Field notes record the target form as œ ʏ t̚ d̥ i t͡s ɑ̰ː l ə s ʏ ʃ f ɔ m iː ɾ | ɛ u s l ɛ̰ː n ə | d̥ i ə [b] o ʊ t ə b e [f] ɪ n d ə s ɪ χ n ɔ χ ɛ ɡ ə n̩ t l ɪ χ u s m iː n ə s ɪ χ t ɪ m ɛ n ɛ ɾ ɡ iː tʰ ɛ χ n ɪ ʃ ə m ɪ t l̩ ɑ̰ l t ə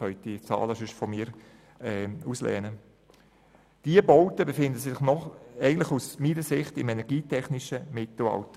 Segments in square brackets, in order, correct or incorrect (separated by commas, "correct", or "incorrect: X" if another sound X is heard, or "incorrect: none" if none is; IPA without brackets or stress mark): correct, correct